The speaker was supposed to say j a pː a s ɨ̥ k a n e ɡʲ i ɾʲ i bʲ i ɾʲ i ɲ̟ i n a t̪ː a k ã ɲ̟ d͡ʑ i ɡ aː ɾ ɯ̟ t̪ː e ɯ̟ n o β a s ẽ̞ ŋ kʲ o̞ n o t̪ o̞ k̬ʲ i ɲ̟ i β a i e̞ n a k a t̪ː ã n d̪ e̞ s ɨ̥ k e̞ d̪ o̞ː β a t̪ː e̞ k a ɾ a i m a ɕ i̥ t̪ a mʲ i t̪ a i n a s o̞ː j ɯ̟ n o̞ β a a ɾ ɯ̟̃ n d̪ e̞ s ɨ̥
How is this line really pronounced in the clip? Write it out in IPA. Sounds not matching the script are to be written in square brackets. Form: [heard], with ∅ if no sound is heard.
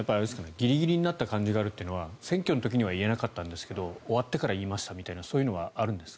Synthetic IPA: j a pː a s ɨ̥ k a n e ɡʲ i ɾʲ i [ɡʲ] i ɾʲ i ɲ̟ i n a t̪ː a k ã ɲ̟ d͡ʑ i ɡ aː ɾ ɯ̟ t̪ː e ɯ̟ n o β a s ẽ̞ ŋ kʲ o̞ n o t̪ o̞ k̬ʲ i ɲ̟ i β a i e̞ n a k a t̪ː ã n d̪ e̞ s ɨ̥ k e̞ d̪ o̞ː β a t̪ː e̞ k a ɾ a [iː] m a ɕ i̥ t̪ a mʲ i t̪ a i n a s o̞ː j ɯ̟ n o̞ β a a ɾ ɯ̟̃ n d̪ e̞ s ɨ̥